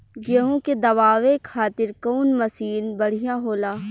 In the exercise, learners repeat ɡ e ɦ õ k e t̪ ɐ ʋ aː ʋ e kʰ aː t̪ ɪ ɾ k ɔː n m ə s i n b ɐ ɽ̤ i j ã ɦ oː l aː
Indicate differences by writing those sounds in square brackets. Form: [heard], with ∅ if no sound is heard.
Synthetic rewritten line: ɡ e ɦ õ k e [d̪] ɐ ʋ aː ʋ e kʰ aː t̪ ɪ ɾ k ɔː n m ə s [iː] n b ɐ ɽ̤ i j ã ɦ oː l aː